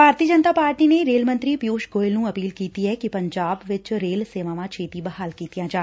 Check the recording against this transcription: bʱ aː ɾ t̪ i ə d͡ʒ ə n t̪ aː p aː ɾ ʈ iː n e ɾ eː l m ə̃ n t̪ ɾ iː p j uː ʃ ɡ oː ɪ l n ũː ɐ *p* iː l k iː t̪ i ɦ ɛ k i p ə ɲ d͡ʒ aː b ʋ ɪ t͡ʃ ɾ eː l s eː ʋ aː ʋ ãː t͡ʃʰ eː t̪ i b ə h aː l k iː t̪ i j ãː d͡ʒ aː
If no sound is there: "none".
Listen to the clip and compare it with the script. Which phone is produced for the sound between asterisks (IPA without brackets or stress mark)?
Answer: p